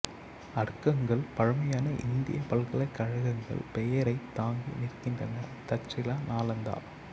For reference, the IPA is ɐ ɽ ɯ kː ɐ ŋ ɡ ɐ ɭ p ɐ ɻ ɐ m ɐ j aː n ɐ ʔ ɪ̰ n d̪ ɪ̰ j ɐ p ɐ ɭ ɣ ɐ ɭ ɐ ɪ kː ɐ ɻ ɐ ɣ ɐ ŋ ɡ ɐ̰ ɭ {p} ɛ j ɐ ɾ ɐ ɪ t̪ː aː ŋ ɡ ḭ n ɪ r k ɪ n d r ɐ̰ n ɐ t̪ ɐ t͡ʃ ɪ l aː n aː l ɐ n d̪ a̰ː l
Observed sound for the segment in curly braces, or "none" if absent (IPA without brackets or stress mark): p